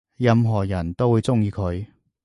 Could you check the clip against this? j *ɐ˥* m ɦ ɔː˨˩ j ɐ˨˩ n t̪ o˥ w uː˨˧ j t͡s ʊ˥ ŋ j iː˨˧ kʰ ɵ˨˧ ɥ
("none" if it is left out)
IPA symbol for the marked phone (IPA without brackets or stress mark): ɐ˧